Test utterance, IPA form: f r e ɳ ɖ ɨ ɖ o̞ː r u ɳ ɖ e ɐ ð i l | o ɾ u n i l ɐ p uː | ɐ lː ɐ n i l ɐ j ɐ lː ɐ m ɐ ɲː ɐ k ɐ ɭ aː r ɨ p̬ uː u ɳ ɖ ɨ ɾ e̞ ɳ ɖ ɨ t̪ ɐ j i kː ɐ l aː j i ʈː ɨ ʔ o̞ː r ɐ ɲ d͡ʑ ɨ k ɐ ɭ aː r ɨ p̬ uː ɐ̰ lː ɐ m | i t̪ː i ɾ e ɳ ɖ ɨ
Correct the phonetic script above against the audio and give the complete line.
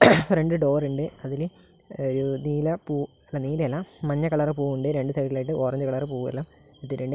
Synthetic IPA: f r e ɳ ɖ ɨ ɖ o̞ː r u ɳ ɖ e ɐ ð i l | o ɾ u n iː l ɐ p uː | ɐ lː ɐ n iː l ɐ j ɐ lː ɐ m ɐ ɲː ɐ k ɐ ɭ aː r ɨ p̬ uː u ɳ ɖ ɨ ɾ e̞ ɳ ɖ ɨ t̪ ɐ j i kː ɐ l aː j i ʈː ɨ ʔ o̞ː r ɐ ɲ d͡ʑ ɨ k ɐ ɭ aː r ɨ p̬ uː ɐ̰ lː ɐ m | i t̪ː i ɾ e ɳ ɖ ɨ